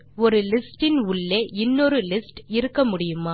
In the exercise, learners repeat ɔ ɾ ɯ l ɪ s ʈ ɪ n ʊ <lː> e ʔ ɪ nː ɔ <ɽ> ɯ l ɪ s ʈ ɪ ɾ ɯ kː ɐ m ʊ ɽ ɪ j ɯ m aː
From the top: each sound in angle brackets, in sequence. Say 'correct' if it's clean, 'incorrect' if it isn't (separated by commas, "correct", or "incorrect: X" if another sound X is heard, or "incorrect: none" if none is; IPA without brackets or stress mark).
incorrect: ɭː, incorrect: ɾ